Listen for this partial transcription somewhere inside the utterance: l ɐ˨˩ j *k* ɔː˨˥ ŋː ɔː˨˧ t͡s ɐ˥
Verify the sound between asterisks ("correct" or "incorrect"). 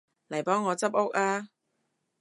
incorrect